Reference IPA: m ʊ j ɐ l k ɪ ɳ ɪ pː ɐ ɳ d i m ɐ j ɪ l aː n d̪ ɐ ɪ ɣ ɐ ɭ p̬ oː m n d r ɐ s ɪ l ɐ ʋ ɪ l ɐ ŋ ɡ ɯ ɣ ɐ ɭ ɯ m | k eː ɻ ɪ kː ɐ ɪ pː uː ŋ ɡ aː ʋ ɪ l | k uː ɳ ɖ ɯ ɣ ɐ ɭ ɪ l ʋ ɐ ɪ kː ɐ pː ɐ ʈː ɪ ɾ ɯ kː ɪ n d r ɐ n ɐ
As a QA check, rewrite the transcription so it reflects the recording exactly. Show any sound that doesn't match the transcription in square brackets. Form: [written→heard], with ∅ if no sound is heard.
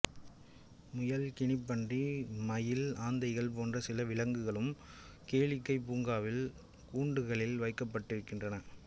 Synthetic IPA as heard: m ʊ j ɐ l k ɪ ɳ ɪ pː ɐ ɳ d i m ɐ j ɪ l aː n d̪ ɐ ɪ ɣ ɐ ɭ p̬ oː [m→∅] n d r ɐ s ɪ l ɐ ʋ ɪ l ɐ ŋ ɡ ɯ ɣ ɐ ɭ ɯ m | k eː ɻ ɪ kː ɐ ɪ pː uː ŋ ɡ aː ʋ ɪ l | k uː ɳ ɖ ɯ ɣ ɐ ɭ ɪ l ʋ ɐ ɪ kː ɐ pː ɐ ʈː ɪ ɾ ɯ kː ɪ n d r ɐ n ɐ